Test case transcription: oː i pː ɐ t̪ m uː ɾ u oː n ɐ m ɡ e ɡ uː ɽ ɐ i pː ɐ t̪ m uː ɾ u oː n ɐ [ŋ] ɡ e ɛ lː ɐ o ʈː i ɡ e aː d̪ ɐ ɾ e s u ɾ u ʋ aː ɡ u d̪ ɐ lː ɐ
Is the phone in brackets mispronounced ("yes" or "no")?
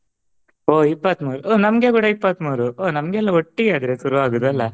yes